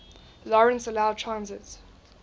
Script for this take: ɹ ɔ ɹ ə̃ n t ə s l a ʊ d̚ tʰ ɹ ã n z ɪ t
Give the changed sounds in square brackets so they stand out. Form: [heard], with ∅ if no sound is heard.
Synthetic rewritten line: [l] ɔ ɹ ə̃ n [s] ə [∅] l a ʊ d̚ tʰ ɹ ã n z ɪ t